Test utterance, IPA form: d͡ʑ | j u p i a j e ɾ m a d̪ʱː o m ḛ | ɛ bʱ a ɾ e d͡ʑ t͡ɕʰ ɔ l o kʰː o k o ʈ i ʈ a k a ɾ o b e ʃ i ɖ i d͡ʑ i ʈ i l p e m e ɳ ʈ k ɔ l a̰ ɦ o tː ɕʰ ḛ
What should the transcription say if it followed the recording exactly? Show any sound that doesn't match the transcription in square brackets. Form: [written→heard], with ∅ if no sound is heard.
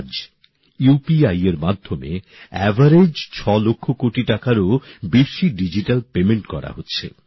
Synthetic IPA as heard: d͡ʑ | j u p i a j e ɾ m a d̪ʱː o m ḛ | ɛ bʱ a ɾ e d͡ʑ t͡ɕʰ ɔ l o kʰː o k o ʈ i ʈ a k a ɾ o b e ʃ i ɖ i d͡ʑ i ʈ [i→a] l p e m e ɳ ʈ k ɔ [l→ɾ] a̰ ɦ o tː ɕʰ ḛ